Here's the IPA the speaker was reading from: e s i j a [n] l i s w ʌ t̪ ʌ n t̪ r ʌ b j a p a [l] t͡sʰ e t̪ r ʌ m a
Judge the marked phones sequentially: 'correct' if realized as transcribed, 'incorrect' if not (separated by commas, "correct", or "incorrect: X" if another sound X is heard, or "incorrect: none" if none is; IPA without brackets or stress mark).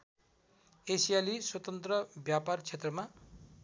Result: incorrect: none, incorrect: r